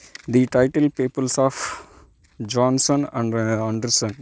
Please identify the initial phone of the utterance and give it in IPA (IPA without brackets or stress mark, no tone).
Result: d̪